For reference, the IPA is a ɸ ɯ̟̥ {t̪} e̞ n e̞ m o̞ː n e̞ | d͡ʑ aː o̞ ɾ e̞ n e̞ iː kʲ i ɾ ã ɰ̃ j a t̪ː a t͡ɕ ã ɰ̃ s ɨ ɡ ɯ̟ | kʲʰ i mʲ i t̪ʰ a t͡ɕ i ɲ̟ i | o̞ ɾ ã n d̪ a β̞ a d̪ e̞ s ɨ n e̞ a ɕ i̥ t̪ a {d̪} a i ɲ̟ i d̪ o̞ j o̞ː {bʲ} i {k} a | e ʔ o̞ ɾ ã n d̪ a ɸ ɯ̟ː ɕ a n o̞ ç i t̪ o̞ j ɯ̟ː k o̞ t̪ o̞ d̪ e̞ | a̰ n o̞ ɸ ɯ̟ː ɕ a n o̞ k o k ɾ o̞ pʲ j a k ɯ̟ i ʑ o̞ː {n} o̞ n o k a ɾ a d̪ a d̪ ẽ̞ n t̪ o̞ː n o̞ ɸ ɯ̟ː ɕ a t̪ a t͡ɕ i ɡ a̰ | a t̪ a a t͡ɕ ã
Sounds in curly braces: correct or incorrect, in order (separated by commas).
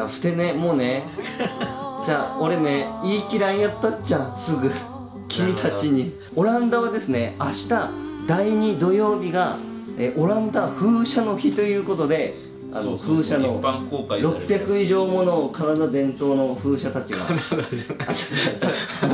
correct, correct, correct, incorrect, incorrect